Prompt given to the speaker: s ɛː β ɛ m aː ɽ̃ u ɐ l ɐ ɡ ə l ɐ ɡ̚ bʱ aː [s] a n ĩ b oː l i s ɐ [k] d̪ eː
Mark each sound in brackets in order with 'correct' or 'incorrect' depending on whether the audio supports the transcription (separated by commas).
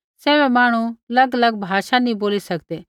incorrect, correct